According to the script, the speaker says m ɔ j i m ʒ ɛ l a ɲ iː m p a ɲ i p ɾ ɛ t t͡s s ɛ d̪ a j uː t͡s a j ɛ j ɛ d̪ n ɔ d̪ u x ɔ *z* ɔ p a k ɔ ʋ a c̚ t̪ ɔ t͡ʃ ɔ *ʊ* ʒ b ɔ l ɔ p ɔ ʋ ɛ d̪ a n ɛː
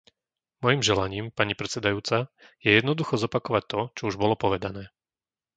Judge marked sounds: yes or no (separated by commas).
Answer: yes, no